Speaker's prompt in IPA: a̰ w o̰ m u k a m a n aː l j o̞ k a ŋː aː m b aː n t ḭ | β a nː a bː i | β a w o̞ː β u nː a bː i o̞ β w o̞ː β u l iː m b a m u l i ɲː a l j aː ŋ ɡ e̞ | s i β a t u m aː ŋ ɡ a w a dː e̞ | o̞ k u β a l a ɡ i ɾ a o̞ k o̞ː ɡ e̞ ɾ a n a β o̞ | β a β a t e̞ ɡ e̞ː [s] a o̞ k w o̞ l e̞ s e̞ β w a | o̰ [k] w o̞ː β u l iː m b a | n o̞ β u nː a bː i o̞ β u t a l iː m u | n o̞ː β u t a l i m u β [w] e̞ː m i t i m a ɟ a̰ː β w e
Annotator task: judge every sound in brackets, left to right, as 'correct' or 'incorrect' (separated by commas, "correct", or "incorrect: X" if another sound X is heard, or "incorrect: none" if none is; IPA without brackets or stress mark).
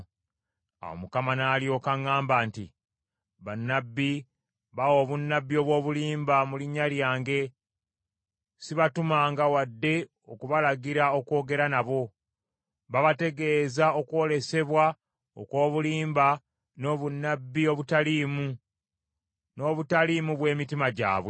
incorrect: z, correct, correct